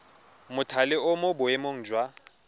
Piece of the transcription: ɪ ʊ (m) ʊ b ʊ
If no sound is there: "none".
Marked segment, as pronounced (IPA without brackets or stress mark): m